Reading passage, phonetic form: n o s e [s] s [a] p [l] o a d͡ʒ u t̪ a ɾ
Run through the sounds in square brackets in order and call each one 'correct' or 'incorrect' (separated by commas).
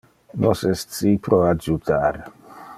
correct, incorrect, incorrect